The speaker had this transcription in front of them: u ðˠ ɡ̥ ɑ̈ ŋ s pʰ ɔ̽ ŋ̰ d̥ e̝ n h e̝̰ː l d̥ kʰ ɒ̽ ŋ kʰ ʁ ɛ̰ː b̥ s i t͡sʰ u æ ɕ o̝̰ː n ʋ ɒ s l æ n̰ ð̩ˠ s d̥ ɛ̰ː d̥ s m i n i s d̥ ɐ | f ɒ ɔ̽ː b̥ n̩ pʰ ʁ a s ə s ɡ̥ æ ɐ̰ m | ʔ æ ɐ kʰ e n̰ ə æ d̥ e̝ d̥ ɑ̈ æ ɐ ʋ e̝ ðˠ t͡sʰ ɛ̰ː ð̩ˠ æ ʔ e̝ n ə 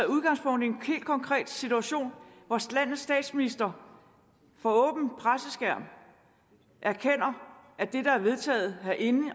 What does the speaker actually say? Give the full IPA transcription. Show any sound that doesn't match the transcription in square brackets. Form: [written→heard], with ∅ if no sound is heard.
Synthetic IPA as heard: u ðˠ ɡ̥ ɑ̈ ŋ s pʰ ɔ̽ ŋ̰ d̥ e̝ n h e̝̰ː l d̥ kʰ ɒ̽ ŋ kʰ ʁ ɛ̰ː [b̥→d̥] s i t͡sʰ u æ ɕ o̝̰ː n ʋ ɒ s l æ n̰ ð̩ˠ s d̥ ɛ̰ː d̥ s m i n i s d̥ ɐ | f ɒ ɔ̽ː b̥ n̩ pʰ ʁ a s ə s ɡ̥ æ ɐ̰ m | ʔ æ ɐ kʰ e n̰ [ə→ɐ] æ d̥ e̝ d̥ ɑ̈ æ ɐ ʋ e̝ ðˠ t͡sʰ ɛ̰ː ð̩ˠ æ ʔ e̝ n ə

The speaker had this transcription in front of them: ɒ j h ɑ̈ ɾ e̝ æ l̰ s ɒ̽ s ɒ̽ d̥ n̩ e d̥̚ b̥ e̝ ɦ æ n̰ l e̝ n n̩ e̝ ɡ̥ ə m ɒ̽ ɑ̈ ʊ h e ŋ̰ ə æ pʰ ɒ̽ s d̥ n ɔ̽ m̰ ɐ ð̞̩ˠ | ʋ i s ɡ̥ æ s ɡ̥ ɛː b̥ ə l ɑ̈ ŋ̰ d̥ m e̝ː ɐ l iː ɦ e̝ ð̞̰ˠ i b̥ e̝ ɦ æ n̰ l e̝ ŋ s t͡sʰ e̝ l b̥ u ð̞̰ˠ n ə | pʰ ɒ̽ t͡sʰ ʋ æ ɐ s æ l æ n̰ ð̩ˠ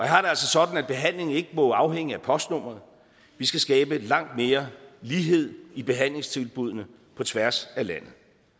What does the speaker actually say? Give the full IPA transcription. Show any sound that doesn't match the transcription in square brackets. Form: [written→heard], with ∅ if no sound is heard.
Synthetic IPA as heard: ɒ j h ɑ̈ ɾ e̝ æ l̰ s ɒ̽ s ɒ̽ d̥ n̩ [e→æ] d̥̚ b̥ e̝ ɦ æ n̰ l e̝ [n→ŋ] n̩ e̝ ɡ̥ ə m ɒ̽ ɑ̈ ʊ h e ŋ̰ ə æ pʰ ɒ̽ s d̥ n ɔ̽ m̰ ɐ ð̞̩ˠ | ʋ i s ɡ̥ æ s ɡ̥ ɛː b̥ ə l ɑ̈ ŋ̰ d̥ m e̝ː ɐ l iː ɦ e̝ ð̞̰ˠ i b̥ e̝ ɦ æ n̰ l e̝ ŋ s t͡sʰ e̝ l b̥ u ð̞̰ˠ n ə | pʰ ɒ̽ t͡sʰ ʋ æ ɐ s æ l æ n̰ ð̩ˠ

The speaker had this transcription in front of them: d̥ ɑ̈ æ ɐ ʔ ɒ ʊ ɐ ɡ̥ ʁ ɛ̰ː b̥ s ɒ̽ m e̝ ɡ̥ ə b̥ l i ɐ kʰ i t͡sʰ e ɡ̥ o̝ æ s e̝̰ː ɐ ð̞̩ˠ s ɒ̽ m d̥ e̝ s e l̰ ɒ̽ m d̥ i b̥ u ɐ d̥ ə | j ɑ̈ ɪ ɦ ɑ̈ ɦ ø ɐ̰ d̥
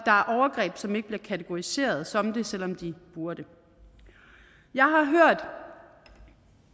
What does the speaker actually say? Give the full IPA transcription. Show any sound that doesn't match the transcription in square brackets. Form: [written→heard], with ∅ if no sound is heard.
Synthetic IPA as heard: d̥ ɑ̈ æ ɐ ʔ ɒ ʊ ɐ ɡ̥ ʁ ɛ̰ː b̥ s ɒ̽ m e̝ ɡ̥ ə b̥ l i ɐ kʰ [i→æ] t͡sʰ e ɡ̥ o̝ [æ→i] s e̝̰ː ɐ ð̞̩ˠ s ɒ̽ m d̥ e̝ s e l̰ ɒ̽ m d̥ i b̥ u ɐ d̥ ə | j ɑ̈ ɪ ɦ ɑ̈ ɦ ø ɐ̰ d̥

